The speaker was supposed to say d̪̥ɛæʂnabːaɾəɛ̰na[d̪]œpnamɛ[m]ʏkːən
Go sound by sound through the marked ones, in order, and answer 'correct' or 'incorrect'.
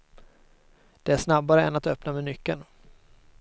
incorrect, incorrect

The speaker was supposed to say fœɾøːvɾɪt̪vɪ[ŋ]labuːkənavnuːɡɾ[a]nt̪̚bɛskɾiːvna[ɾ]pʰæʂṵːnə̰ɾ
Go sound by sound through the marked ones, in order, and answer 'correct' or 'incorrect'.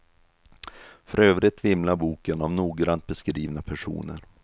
incorrect, correct, incorrect

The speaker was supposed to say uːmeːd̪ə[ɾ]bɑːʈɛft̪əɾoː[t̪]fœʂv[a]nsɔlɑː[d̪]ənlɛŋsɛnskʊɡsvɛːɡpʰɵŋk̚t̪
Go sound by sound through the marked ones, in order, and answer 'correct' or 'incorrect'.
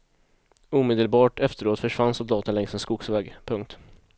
incorrect, correct, correct, incorrect

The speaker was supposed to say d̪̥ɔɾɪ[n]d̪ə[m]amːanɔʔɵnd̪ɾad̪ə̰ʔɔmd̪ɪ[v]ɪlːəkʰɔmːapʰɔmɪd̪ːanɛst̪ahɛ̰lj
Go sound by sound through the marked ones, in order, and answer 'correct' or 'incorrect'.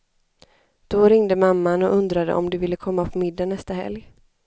incorrect, correct, correct

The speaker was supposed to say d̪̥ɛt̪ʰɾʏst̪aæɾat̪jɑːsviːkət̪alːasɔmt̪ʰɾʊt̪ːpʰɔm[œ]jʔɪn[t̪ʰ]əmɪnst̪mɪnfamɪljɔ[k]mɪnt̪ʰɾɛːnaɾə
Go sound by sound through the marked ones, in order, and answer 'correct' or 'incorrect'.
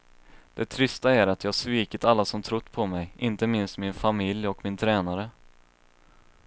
incorrect, incorrect, correct

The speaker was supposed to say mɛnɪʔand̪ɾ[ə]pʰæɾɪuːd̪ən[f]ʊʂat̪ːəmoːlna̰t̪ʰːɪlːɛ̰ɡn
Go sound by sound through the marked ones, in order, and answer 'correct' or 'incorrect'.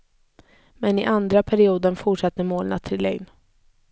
incorrect, correct

